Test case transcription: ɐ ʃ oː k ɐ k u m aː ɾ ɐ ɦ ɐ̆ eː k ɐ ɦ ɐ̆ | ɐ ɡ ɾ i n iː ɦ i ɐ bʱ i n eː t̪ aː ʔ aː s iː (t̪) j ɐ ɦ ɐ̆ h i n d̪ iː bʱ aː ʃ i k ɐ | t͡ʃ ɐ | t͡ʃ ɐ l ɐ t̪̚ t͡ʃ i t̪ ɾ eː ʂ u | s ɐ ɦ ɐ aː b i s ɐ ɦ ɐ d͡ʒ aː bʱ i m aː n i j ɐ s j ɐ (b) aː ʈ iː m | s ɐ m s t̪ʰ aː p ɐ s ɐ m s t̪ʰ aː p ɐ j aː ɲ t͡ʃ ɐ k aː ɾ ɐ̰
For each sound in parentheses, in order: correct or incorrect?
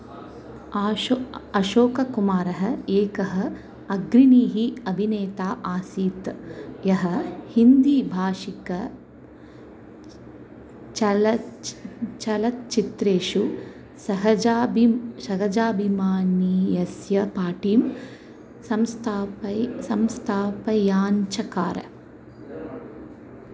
correct, incorrect: p

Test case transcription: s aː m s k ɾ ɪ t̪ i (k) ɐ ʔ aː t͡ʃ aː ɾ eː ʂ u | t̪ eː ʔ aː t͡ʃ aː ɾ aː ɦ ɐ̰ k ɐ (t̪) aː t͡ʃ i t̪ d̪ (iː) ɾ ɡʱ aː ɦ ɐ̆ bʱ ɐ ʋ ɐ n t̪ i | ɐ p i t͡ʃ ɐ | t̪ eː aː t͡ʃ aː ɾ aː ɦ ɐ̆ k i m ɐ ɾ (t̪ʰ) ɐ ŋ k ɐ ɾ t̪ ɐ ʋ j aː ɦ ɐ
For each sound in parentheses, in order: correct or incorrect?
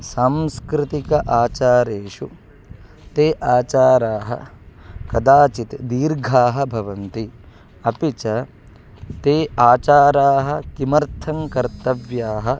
correct, incorrect: d̪, correct, correct

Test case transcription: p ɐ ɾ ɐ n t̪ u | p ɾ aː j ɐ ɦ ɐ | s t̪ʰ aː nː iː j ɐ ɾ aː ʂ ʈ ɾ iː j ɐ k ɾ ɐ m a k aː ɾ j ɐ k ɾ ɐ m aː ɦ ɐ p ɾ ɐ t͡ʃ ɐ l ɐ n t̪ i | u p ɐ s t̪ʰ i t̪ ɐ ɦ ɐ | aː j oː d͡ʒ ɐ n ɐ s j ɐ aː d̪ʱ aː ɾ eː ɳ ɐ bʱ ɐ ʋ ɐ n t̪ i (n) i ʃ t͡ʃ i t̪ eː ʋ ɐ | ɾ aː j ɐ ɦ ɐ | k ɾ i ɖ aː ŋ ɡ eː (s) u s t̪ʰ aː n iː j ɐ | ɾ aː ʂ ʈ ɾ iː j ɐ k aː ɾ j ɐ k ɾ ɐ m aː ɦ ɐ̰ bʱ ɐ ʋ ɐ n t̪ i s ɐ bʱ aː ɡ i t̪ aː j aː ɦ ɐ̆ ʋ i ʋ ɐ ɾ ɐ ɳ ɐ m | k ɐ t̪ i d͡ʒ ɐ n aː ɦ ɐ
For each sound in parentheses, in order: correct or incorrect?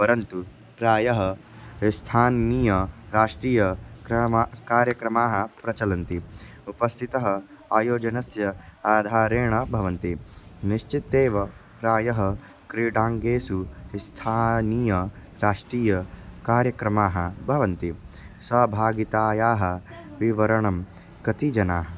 correct, correct

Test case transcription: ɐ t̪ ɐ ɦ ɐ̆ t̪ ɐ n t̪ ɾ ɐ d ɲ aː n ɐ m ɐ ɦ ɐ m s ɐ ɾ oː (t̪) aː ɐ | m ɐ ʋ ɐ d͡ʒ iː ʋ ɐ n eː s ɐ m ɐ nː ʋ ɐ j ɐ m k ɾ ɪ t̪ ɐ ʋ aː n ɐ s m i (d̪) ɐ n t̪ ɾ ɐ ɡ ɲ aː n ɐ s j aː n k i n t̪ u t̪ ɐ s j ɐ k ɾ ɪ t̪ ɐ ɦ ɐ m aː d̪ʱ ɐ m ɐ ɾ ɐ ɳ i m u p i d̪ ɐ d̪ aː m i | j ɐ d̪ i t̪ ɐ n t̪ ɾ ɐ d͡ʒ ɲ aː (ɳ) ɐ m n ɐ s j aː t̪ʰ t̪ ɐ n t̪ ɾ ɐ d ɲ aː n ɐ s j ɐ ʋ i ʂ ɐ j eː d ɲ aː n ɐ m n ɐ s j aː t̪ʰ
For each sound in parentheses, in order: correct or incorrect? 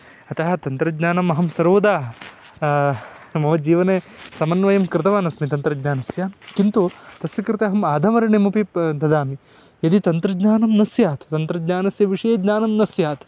incorrect: d̪, incorrect: t̪, incorrect: n

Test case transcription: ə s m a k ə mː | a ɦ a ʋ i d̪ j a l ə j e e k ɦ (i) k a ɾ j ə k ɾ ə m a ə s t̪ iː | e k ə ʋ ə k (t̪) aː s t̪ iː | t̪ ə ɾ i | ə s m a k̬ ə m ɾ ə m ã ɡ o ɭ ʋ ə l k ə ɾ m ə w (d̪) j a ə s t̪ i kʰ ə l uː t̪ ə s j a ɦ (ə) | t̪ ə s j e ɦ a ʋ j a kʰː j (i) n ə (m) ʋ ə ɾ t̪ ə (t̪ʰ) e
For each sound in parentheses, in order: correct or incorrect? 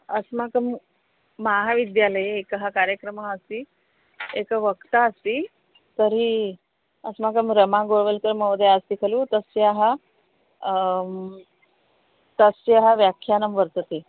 incorrect: a, correct, correct, incorrect: a, incorrect: a, correct, incorrect: t̪

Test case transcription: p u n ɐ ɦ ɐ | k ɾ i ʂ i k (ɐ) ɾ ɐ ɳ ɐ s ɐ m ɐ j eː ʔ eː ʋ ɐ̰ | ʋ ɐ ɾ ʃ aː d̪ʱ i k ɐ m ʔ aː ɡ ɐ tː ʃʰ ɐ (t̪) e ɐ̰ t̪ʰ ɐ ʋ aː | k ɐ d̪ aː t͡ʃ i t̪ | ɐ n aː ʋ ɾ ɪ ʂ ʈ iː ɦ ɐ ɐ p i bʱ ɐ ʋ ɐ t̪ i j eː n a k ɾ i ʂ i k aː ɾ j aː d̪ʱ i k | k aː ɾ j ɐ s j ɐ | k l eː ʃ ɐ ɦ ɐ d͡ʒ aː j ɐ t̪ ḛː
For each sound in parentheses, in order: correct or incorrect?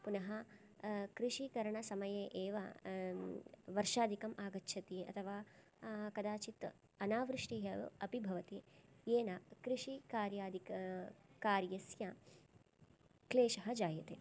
correct, correct

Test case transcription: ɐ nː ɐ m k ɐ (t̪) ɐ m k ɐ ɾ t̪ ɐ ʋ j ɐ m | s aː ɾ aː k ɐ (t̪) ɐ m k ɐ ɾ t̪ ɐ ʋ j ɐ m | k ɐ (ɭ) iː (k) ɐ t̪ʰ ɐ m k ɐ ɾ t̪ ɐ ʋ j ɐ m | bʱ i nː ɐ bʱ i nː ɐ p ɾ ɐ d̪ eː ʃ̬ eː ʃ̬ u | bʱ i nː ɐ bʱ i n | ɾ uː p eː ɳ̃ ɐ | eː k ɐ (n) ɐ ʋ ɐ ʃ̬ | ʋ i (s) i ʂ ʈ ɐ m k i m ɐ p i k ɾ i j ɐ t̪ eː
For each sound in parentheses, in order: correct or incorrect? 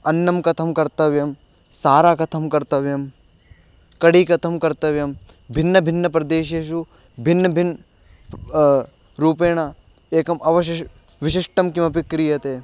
incorrect: t̪ʰ, incorrect: t̪ʰ, incorrect: ɽ, correct, incorrect: m, incorrect: ʃ

